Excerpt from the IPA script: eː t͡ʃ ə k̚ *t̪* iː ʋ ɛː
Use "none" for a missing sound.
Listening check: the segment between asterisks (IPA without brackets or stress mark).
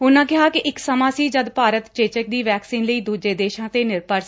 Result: d̪